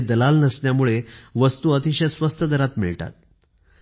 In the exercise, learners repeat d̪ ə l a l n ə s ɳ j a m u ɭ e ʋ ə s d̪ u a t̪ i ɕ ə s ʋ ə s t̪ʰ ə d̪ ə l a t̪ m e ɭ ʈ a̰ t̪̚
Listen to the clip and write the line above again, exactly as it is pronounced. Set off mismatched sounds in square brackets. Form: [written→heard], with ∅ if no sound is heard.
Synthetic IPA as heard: d̪ ə l a l n ə s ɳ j a m u ɭ e ʋ ə s [d̪→t̪] u [a→ə] t̪ i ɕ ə s ʋ ə s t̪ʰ ə d̪ ə [l→ɾ] a t̪ m [e→i] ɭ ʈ a̰ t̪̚